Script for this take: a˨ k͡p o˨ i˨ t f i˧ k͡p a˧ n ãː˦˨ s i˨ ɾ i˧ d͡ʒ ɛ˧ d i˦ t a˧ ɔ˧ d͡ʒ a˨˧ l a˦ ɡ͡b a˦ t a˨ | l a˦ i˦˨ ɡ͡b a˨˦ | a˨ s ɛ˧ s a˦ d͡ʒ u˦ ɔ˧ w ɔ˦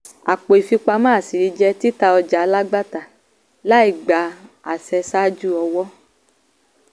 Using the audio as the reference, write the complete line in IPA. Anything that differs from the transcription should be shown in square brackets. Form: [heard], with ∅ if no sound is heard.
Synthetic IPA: a˨ k͡p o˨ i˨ [∅] f i˧ k͡p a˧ [m] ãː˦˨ s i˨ ɾ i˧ d͡ʒ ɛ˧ [t] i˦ t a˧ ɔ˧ d͡ʒ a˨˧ l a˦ ɡ͡b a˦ t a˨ | l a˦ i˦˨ ɡ͡b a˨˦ | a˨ s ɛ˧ s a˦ d͡ʒ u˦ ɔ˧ w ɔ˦